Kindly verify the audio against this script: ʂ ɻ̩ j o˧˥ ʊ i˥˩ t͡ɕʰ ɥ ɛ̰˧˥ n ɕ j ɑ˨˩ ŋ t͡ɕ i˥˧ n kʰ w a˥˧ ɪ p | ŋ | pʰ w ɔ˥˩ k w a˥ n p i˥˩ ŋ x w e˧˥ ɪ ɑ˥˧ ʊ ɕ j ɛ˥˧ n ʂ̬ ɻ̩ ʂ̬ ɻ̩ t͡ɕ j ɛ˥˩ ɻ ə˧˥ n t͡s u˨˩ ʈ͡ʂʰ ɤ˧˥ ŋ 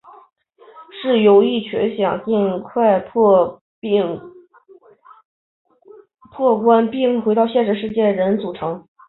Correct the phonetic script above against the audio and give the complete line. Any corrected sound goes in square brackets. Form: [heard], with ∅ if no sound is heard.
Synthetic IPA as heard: ʂ ɻ̩ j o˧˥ ʊ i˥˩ t͡ɕʰ ɥ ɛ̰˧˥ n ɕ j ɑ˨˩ ŋ t͡ɕ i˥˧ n kʰ w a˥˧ ɪ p | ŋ | pʰ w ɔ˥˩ k w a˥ n p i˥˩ ŋ x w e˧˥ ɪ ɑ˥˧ ʊ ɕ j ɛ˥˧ n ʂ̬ ɻ̩ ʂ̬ ɻ̩ t͡ɕ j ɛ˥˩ ɻ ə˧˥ n t͡s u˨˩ ʈ͡ʂʰ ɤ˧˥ ŋ